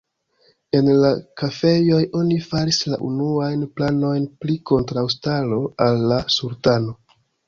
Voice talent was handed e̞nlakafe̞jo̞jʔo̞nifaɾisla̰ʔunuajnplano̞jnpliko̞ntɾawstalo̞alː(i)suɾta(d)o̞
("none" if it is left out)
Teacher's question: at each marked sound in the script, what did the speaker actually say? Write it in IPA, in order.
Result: a, n

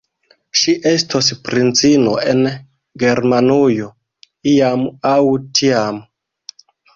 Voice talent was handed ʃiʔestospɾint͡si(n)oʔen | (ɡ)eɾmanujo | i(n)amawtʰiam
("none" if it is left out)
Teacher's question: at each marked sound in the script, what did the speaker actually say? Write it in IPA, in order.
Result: n, ɡ, none

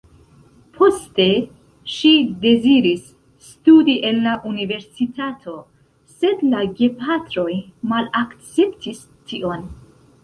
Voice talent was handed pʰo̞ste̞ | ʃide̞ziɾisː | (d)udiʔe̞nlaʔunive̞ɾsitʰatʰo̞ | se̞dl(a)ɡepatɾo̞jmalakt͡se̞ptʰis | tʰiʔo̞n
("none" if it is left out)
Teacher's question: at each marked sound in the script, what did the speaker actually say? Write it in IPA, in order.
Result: t, a

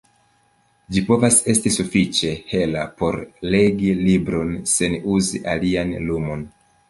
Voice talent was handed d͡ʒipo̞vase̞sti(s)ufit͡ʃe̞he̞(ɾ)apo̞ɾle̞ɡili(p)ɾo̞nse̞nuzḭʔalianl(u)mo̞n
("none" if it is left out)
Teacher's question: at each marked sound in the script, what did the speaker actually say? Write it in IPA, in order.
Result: s, l, b, u

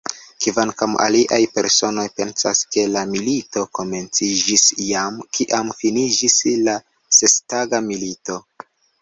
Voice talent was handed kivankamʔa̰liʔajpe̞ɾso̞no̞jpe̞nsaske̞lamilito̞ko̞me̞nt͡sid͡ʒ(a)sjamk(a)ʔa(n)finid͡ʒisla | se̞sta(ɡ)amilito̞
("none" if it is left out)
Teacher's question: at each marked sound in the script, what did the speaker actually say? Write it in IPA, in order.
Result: i, i, m, ɡ

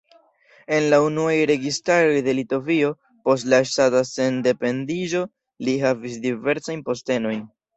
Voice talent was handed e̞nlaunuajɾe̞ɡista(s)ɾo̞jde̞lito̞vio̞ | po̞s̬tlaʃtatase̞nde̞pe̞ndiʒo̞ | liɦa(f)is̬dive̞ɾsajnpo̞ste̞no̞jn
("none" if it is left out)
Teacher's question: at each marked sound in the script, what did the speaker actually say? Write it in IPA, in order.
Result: none, v

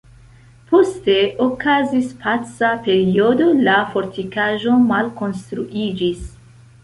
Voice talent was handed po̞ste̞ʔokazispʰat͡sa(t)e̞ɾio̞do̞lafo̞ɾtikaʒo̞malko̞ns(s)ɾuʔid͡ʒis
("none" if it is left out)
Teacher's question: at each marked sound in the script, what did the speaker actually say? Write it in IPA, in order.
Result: p, t

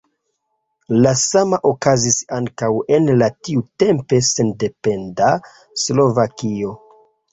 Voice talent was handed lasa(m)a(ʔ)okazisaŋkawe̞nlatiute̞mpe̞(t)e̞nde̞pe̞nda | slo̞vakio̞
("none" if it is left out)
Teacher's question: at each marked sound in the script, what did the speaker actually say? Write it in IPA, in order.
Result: m, ʔ, s

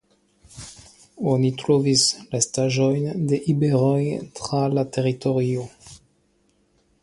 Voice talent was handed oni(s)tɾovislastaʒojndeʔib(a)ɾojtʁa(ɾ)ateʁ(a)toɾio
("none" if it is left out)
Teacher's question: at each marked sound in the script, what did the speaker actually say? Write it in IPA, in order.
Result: none, e, l, i

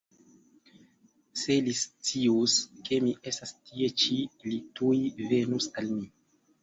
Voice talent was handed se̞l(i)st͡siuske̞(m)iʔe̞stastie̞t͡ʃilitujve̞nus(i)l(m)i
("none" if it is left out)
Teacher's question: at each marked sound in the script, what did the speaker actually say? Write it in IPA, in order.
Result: i, m, a, m

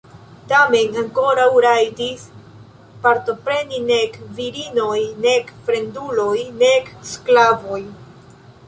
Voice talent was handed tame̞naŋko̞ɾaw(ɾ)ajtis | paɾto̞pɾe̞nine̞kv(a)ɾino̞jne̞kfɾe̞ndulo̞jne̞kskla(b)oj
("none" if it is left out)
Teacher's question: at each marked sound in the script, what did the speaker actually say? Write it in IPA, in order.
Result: ɾ, i, v

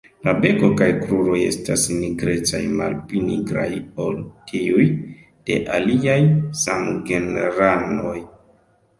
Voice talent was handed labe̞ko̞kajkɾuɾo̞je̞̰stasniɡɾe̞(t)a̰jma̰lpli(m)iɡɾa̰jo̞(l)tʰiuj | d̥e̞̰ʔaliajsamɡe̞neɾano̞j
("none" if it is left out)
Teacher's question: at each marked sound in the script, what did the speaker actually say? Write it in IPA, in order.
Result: t͡s, n, l

